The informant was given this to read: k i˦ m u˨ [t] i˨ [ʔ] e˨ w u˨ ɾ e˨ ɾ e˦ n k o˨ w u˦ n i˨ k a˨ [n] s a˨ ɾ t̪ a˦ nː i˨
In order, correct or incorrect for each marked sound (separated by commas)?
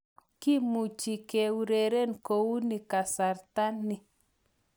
incorrect, incorrect, incorrect